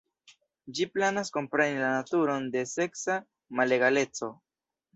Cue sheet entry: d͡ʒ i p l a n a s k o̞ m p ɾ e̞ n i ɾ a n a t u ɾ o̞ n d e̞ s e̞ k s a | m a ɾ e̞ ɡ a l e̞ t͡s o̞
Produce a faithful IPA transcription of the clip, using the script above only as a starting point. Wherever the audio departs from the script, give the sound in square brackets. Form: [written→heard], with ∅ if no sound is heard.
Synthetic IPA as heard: d͡ʒ i p l a n a s k o̞ m p ɾ e̞ n i [ɾ→l] a n a t u ɾ o̞ n d e̞ s e̞ k s a | m a [ɾ→l] e̞ ɡ a l e̞ t͡s o̞